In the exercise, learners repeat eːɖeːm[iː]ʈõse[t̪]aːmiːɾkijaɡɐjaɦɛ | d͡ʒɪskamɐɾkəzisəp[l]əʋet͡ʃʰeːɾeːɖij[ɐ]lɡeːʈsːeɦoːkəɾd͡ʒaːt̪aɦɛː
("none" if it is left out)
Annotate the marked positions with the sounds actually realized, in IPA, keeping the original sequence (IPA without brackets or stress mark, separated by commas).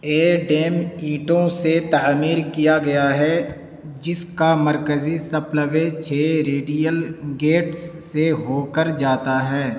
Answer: iː, t̪, l, ə